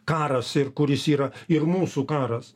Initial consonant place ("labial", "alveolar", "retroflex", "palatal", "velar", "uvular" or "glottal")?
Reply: velar